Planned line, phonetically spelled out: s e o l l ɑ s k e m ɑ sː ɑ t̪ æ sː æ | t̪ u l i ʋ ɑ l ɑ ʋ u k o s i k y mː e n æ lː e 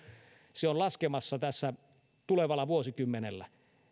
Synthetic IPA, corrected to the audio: s e o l l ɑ s k e m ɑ sː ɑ t̪ æ sː æ | t̪ u l e ʋ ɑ l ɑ ʋ u o s i k y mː e n e lː æ